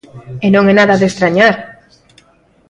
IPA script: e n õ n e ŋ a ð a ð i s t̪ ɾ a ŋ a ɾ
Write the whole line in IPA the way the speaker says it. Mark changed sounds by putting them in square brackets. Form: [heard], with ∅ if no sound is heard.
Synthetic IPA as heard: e n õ [ŋ] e [n] a ð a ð [e] s t̪ ɾ a [ɲ] a ɾ